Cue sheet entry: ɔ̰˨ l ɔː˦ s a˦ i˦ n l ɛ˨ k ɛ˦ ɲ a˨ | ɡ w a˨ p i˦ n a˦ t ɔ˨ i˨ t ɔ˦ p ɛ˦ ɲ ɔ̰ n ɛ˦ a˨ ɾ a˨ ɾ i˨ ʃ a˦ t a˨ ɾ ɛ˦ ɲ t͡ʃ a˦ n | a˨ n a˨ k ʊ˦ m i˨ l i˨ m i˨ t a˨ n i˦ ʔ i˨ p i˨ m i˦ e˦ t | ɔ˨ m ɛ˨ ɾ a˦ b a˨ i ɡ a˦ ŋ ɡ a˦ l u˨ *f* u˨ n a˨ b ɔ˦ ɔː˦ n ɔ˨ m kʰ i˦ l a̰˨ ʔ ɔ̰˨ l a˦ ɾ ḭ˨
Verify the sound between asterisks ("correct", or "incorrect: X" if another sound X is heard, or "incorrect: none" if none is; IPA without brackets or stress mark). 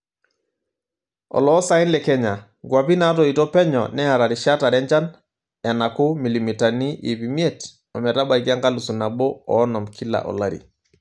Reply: incorrect: s